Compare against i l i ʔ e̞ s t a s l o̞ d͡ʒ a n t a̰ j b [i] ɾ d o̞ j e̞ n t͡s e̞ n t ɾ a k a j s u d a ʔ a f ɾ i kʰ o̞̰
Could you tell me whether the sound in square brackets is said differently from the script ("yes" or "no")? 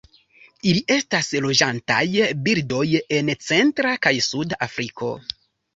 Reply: no